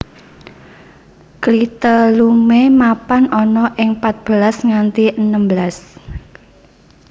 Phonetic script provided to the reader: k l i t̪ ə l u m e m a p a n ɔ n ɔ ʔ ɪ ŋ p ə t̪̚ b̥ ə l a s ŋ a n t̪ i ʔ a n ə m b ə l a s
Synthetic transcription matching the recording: k l i t̪ ə l u m e m a p a n ɔ n ɔ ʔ ɪ ŋ p a t̪̚ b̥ ə l a s ŋ a n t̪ i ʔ ə n ə m b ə l a s